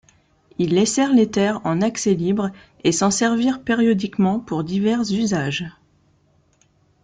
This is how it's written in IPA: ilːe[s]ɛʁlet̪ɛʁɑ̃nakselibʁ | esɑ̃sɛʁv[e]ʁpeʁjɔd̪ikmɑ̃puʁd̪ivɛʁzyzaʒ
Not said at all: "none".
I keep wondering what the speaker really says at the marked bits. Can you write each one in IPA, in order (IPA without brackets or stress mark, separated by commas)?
s, i